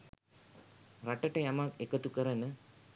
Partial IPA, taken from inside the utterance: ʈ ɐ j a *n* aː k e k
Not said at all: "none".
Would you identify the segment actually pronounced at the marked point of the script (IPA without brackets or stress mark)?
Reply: m